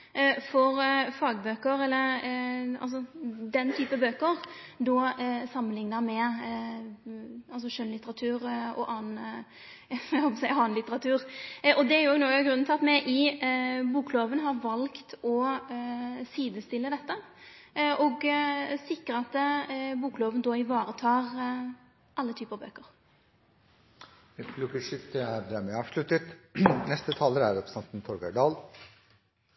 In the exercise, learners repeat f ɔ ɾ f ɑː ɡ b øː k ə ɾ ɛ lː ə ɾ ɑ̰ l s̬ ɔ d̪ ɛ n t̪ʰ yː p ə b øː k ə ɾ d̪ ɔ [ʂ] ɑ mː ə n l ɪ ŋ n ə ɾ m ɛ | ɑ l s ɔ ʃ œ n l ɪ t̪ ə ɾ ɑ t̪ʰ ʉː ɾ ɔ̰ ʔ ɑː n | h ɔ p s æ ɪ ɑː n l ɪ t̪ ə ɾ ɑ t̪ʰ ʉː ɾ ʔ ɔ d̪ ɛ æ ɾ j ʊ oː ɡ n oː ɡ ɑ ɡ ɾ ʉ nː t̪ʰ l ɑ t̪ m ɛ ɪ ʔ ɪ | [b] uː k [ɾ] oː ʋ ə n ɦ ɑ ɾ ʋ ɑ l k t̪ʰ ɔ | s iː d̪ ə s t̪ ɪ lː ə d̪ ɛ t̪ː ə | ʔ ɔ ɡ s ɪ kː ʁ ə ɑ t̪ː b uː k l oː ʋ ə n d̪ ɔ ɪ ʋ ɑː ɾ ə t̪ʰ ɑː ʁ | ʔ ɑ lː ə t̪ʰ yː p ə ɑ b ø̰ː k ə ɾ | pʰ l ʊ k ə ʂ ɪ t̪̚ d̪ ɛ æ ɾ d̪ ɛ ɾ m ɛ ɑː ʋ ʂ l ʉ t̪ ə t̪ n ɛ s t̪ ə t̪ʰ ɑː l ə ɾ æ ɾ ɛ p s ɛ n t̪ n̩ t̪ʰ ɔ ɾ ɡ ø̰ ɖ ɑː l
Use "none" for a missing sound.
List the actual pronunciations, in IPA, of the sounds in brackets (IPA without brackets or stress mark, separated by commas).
s, b, l